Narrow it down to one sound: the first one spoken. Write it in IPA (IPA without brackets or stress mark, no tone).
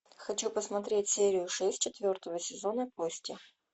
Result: x